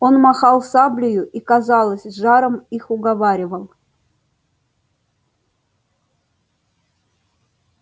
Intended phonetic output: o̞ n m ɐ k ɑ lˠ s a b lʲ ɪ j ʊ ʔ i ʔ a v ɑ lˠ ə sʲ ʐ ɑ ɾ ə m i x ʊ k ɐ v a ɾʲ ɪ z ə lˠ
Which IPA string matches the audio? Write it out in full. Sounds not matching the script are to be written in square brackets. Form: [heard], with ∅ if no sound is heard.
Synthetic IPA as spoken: o̞ n m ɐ [x] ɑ lˠ s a b lʲ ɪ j ʊ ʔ i [k] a [z] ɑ lˠ ə sʲ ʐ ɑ ɾ ə m i x ʊ [ɡ] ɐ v a ɾʲ ɪ [v] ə lˠ